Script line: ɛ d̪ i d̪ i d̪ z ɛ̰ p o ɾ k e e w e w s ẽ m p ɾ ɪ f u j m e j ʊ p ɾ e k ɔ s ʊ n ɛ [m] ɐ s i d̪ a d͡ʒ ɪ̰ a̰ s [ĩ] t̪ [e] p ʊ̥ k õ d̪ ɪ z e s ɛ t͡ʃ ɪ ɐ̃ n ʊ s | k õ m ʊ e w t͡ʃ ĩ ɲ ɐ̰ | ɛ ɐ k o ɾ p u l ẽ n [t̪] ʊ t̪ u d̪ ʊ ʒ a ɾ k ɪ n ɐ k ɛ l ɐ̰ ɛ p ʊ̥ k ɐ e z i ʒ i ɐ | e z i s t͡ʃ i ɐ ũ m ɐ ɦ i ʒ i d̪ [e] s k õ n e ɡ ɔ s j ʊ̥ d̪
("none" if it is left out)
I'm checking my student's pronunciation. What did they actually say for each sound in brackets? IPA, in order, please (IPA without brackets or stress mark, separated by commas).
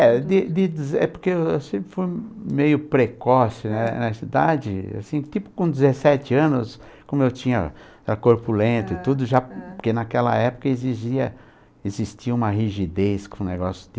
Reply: n, ĩ, i, t̪, e